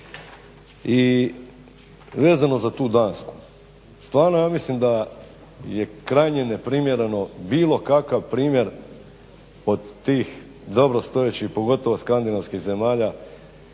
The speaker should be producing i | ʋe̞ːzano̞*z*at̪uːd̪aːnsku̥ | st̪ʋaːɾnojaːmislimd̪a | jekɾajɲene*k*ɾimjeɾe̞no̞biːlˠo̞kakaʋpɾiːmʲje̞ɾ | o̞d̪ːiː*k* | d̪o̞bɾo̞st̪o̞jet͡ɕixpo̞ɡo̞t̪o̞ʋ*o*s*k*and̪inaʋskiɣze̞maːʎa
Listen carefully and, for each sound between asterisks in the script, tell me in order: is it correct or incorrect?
correct, incorrect: p, incorrect: x, correct, correct

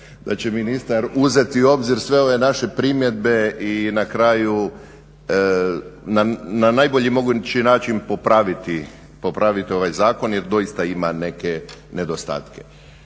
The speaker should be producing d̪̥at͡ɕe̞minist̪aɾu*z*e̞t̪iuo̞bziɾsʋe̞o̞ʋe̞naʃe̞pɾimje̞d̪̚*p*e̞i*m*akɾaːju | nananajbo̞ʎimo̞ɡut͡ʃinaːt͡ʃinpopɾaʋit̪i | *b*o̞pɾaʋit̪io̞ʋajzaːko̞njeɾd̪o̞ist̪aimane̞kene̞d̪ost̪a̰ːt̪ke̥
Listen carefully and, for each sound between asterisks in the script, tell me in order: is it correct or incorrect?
correct, incorrect: b, incorrect: n, incorrect: p

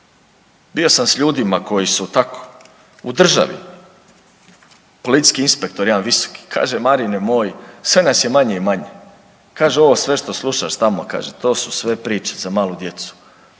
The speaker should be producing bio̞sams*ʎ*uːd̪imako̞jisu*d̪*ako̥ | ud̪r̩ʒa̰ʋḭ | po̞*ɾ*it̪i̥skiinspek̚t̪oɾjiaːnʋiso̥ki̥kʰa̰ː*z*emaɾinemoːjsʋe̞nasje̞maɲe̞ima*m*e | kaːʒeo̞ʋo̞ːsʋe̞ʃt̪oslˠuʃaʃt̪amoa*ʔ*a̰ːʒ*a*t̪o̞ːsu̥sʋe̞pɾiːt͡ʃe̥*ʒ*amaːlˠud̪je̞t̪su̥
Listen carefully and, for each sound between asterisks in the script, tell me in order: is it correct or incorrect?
correct, incorrect: t̪, incorrect: l, incorrect: ʒ, incorrect: ɲ, incorrect: k, incorrect: e, incorrect: z

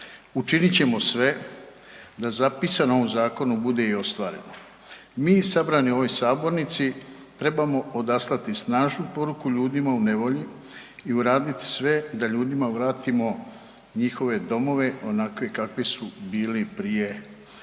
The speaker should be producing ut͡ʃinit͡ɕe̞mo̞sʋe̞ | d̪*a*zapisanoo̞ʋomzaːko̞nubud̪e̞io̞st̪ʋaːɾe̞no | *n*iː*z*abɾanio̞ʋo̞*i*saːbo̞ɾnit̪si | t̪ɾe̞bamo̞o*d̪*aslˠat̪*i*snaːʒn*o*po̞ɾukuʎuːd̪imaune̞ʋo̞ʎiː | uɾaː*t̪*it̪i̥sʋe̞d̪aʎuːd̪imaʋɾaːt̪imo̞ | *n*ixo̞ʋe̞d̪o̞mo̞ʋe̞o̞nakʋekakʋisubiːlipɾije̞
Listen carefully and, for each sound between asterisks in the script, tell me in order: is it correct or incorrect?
correct, incorrect: m, incorrect: s, incorrect: j, correct, correct, incorrect: u, incorrect: d̪, incorrect: ɲ

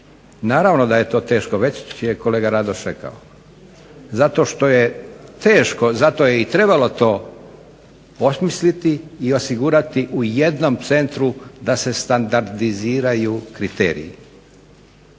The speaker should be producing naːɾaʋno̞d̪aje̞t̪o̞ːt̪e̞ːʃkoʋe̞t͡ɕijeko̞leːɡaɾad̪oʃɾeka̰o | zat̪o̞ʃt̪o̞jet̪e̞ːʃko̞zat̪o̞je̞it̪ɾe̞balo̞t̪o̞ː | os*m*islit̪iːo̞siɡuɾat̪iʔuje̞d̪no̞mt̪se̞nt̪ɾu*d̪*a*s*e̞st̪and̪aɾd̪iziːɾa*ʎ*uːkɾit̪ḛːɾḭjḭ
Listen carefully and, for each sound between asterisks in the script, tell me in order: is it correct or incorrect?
correct, correct, correct, incorrect: j

